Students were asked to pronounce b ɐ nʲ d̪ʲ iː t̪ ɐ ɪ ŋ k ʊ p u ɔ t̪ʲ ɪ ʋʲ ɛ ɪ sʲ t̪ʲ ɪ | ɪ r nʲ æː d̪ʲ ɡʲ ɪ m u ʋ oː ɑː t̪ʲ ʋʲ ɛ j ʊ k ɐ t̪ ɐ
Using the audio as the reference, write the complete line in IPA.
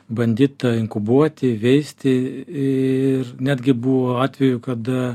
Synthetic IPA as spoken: b ɐ nʲ d̪ʲ iː t̪ ɐ ɪ ŋ k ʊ b u ɔ t̪ʲ ɪ ʋʲ ɛ ɪ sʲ t̪ʲ ɪ | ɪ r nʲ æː d̪ʲ ɡʲ ɪ b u ʋ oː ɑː t̪ʲ ʋʲ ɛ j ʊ k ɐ d̪ ɐ

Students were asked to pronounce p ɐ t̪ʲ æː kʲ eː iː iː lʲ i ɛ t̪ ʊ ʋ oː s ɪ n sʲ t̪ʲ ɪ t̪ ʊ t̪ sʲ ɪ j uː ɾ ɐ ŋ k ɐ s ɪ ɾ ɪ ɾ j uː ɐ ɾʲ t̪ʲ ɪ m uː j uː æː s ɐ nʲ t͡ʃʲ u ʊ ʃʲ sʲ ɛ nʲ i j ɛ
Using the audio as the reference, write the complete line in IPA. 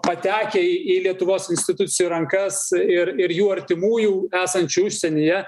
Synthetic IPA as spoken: p ɐ t̪ʲ æː kʲ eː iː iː lʲ i ɛ t̪ ʊ ʋ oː s ɪ n sʲ t̪ʲ ɪ t̪ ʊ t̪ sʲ ɪ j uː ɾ ɐ ŋ k ɐ s ɪ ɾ ɪ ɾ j uː ɐ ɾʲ t̪ʲ ɪ m uː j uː æː s ɐ nʲ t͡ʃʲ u ʊ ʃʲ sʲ ɛ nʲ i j ɛ

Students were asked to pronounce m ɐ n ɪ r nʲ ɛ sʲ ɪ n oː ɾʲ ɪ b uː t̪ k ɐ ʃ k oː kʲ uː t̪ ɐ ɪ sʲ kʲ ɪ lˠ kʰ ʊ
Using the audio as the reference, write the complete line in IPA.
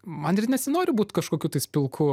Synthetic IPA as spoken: m ɐ n ɪ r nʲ ɛ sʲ ɪ n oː ɾʲ ɪ b uː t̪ k ɐ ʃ k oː kʲ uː t̪ ɐ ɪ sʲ pʲ ɪ lˠ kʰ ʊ

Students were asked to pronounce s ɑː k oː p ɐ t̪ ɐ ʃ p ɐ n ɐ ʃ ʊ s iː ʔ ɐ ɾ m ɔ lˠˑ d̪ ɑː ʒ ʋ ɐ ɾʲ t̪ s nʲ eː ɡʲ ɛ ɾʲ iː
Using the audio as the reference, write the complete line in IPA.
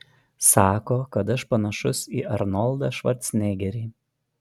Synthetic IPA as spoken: s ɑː k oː k ɐ t̪ ɐ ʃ p ɐ n ɐ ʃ ʊ s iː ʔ ɐ ɾ n ɔ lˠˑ d̪ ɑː ʃ ʋ ɐ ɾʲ t̪ s nʲ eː ɡʲ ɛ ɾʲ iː

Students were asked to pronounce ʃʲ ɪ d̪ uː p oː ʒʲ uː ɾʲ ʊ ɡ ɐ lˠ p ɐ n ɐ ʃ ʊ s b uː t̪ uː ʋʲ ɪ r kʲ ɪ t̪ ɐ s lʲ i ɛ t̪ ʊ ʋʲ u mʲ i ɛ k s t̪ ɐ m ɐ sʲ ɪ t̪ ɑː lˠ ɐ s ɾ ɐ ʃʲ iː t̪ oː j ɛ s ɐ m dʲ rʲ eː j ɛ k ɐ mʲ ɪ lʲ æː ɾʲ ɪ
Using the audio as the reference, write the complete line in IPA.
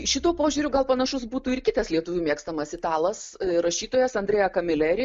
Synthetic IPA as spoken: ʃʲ ɪ t̪ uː p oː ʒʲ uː ɾʲ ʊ ɡ ɐ lˠ p ɐ n ɐ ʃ ʊ s b uː t̪ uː ɪ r kʲ ɪ t̪ ɐ s lʲ i ɛ t̪ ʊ ʋʲ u mʲ i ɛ k s t̪ ɐ m ɐ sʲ ɪ t̪ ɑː lˠ ɐ s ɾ ɐ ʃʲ iː t̪ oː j ɛ s ɐ n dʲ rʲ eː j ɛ k ɐ mʲ ɪ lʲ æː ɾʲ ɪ

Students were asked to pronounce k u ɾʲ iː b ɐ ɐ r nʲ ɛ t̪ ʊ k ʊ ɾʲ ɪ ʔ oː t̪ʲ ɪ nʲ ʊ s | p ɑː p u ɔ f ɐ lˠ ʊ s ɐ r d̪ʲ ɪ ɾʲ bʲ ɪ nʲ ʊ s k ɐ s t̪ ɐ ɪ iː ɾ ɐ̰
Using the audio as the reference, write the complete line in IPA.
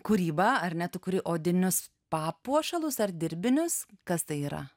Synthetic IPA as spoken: k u ɾʲ iː b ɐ ɐ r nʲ ɛ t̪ ʊ k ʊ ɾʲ ɪ ʔ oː d̪ʲ ɪ nʲ ʊ s | p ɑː p u ɔ ʃ ɐ lˠ ʊ s ɐ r d̪ʲ ɪ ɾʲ bʲ ɪ nʲ ʊ s k ɐ s t̪ ɐ ɪ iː ɾ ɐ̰

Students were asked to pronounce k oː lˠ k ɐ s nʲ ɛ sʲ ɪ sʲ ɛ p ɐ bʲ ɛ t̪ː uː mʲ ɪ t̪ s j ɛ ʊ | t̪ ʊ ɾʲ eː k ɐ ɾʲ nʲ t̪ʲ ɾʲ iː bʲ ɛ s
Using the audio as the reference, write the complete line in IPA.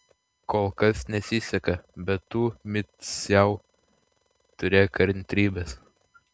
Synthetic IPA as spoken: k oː lˠ k ɐ s nʲ ɛ sʲ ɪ sʲ ɛ k ɐ bʲ ɛ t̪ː uː mʲ ɪ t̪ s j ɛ ʊ | t̪ ʊ ɾʲ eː k ɐ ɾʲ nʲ t̪ʲ ɾʲ iː bʲ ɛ s

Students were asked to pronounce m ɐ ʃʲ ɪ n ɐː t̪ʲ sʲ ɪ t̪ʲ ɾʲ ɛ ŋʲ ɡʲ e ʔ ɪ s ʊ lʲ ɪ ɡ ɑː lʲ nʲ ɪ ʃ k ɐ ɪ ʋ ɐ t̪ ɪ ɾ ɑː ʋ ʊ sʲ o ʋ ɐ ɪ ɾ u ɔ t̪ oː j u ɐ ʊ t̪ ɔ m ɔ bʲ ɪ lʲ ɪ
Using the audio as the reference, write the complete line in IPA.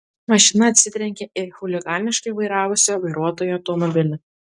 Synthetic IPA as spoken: m ɐ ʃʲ ɪ n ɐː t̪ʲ sʲ ɪ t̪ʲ ɾʲ ɛ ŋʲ kʲ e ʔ ɪ x ʊ lʲ ɪ ɡ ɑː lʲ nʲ ɪ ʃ k ɐ ɪ ʋ ɐ ɪ ɾ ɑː ʋ ʊ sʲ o ʋ ɐ ɪ ɾ u ɔ t̪ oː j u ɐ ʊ t̪ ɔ m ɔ bʲ ɪ lʲ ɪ

